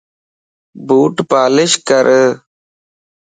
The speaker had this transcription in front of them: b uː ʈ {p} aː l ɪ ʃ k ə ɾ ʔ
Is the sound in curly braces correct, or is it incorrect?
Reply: correct